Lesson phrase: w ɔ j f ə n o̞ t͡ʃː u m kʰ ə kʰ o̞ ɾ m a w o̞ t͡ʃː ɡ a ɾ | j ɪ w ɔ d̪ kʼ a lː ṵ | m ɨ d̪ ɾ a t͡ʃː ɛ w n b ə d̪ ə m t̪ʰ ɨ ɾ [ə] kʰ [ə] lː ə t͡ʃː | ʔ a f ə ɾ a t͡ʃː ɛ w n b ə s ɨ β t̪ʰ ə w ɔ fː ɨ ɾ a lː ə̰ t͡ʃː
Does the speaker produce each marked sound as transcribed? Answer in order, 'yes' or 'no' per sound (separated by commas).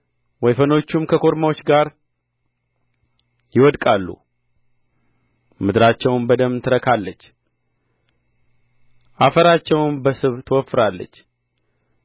yes, no